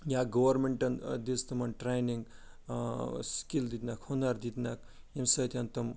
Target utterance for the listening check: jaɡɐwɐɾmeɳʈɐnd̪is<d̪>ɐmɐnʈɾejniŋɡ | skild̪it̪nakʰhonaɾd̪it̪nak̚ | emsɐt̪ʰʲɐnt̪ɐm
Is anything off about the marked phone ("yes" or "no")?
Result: yes